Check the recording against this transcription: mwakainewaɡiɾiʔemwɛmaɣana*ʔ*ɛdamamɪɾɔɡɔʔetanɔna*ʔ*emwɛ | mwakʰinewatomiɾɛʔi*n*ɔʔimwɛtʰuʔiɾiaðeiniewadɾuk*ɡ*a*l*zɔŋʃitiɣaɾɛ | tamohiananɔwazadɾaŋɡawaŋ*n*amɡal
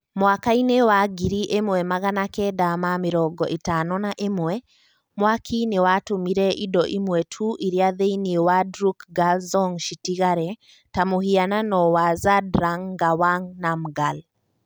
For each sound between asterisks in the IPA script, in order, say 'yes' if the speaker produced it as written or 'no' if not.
no, yes, no, yes, yes, yes

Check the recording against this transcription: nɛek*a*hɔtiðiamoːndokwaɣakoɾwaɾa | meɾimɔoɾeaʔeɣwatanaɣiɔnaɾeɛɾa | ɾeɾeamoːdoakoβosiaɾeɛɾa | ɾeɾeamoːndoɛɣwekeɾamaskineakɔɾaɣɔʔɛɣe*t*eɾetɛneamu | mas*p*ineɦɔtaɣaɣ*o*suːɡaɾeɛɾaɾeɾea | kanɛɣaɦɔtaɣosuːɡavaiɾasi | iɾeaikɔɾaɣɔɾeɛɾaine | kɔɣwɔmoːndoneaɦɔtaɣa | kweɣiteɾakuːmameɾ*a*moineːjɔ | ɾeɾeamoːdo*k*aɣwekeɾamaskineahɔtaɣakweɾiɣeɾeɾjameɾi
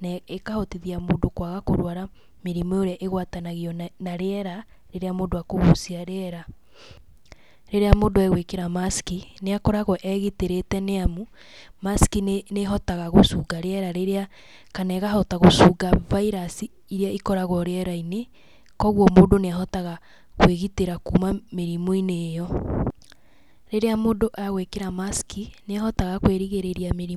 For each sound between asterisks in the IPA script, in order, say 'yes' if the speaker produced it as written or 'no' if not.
yes, yes, no, yes, no, no

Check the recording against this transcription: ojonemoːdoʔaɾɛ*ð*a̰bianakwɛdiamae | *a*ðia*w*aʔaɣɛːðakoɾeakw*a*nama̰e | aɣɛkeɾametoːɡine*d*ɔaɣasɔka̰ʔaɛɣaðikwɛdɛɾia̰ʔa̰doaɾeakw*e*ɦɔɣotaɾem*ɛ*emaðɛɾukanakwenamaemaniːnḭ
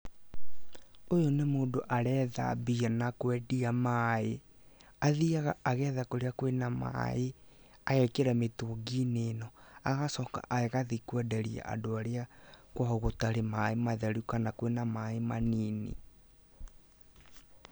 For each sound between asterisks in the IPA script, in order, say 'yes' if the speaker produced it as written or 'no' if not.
yes, yes, no, no, no, no, no

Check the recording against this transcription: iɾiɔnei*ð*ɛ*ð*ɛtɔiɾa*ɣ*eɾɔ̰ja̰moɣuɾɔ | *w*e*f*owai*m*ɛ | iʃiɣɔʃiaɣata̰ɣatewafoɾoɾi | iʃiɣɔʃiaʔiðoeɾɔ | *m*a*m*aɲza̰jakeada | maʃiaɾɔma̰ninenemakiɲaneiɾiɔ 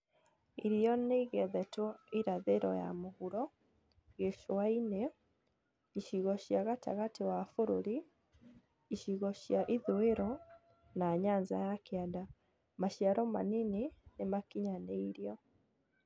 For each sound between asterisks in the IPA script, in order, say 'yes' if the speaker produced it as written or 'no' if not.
no, yes, no, no, no, no, no, no

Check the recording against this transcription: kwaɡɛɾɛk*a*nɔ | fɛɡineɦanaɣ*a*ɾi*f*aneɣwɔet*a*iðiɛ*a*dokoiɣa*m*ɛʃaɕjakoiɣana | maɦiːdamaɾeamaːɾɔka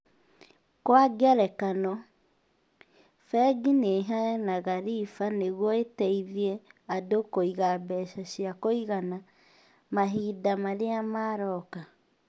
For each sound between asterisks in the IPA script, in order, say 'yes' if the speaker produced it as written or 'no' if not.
yes, yes, yes, no, yes, no

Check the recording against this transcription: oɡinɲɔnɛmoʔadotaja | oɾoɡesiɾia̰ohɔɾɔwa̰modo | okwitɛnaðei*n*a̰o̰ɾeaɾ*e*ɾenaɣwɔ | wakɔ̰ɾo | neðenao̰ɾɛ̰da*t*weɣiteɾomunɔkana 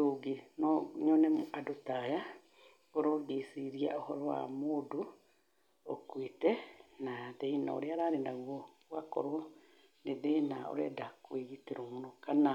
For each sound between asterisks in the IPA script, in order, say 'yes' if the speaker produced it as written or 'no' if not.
yes, no, no

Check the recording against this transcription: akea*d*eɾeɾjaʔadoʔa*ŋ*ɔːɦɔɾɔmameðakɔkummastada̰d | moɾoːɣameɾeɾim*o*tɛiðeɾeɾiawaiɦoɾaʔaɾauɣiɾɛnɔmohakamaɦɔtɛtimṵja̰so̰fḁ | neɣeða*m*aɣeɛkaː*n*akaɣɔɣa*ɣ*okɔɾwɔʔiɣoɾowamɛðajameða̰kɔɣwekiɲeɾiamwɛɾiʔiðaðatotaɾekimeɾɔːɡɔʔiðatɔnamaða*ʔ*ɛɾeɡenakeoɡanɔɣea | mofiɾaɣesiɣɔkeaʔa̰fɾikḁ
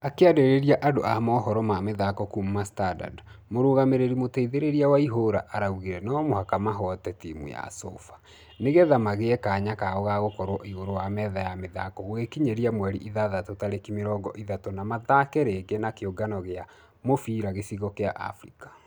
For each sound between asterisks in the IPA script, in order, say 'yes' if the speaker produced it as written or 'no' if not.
yes, no, yes, yes, no, yes, no

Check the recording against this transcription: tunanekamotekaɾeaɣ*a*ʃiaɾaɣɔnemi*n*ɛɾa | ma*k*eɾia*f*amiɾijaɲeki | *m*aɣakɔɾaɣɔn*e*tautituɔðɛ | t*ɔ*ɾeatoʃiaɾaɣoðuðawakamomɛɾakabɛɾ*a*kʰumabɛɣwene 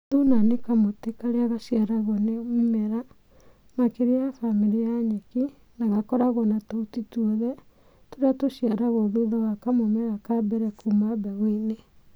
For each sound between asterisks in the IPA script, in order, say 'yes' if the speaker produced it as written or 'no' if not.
yes, no, yes, yes, no, no, no, no

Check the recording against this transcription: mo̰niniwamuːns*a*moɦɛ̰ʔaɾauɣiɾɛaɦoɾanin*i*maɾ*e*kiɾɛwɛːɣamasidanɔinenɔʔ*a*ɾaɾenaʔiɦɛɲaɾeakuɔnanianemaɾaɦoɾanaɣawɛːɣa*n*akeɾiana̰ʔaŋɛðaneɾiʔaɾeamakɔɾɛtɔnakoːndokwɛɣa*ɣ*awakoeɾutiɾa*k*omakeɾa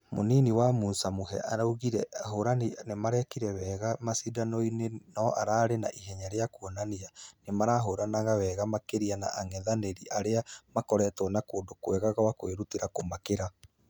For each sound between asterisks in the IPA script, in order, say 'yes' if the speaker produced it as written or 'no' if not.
yes, no, no, yes, no, yes, yes

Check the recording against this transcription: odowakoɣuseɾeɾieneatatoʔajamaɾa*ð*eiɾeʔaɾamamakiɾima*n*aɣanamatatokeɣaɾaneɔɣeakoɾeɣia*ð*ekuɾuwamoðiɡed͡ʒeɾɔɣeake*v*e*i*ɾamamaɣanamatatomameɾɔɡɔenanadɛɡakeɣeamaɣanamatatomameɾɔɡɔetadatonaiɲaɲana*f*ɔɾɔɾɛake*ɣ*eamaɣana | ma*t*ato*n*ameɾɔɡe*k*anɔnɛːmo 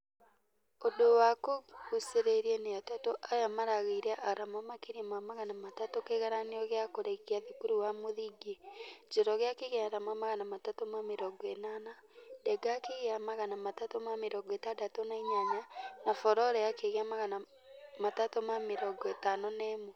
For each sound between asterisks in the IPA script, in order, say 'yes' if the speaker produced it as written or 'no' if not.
no, no, yes, no, no, yes, yes, yes, no, no

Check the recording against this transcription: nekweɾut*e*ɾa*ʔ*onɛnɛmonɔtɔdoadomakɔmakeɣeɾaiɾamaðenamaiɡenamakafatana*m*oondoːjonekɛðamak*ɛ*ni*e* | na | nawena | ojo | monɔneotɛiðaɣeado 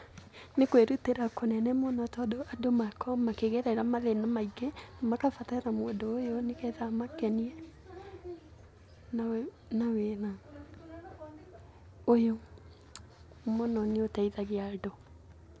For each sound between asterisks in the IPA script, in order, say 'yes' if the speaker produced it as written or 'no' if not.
yes, no, yes, yes, no

